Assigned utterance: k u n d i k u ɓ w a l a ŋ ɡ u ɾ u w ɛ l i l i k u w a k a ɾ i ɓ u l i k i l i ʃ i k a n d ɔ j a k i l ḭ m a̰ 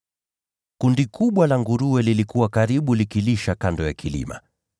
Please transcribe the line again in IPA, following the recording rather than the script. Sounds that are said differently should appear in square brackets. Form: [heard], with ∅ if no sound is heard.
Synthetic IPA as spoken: k u n d i k u ɓ w a l a ŋ ɡ u ɾ u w ɛ l i l i k u w a k a ɾ i ɓ u l i k i l i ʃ [a] k a n d ɔ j a k i l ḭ m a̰